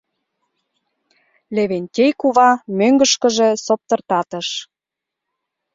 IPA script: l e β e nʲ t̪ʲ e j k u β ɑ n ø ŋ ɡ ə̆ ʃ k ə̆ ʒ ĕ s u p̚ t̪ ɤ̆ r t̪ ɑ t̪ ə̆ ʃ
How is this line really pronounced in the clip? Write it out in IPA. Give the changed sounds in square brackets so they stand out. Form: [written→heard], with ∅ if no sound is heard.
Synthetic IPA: l e β e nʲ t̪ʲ e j k u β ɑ [n→m] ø ŋ ɡ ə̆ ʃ k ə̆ ʒ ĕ s [u→o] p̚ t̪ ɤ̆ r t̪ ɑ t̪ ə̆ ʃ